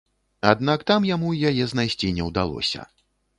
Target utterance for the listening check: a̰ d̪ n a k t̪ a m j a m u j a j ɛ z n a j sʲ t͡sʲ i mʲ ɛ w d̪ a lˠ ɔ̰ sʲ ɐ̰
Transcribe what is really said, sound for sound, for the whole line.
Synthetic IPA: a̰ d̪ n a k t̪ a m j a m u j a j ɛ z n a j sʲ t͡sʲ i nʲ ɛ w d̪ a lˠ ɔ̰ sʲ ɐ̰